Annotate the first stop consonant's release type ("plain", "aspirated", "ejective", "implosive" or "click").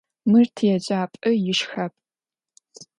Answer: aspirated